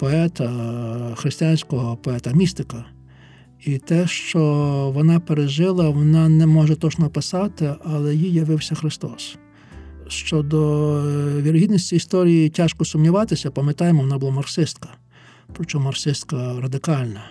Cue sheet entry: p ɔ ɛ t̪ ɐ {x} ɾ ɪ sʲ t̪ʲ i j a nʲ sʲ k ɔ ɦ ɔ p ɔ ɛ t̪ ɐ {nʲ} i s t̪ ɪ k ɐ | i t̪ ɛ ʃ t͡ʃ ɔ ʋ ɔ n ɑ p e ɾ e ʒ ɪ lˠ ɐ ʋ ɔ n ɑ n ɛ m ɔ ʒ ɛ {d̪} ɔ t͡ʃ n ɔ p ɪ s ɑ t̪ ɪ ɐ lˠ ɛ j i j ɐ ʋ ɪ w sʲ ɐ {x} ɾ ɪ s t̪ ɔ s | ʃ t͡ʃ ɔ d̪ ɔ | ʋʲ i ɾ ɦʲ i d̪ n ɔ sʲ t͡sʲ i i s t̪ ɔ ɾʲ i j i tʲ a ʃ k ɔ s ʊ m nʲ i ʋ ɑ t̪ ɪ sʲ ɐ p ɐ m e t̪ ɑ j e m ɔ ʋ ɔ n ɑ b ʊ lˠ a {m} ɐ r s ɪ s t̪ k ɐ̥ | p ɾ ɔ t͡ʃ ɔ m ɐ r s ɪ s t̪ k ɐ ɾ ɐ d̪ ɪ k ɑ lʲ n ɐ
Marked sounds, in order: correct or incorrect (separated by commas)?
correct, incorrect, incorrect, correct, correct